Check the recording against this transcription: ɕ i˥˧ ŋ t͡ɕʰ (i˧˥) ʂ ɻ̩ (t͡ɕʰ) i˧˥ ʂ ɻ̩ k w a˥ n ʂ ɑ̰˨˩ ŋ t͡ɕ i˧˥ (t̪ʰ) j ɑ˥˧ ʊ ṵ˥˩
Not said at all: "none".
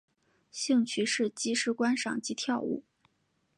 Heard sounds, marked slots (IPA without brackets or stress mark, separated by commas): y˧˥, t͡ɕ, t̪ʰ